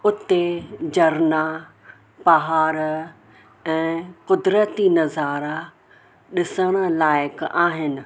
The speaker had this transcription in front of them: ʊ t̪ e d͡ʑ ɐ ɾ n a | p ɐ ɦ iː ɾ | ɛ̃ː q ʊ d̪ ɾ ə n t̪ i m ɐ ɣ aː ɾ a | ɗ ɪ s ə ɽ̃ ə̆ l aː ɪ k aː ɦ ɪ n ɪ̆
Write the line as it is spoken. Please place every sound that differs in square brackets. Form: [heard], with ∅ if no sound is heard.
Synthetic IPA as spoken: ʊ t̪ e d͡ʑ ɐ ɾ n a | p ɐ ɦ [aː] ɾ | ɛ̃ː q ʊ d̪ ɾ ə [∅] t̪ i [n] ɐ [z] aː ɾ a | ɗ ɪ s ə ɽ̃ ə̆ l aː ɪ k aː ɦ ɪ n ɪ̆